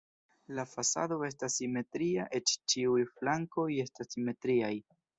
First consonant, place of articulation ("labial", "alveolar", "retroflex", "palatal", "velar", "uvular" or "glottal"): alveolar